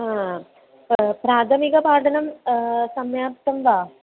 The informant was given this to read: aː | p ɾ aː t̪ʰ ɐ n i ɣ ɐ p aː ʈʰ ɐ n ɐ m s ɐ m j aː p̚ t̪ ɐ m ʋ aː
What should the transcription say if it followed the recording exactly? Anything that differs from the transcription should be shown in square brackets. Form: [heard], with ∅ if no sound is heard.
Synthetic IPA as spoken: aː | p ɾ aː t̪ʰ ɐ [m] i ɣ ɐ p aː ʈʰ ɐ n ɐ m s ɐ m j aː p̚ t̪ ɐ m ʋ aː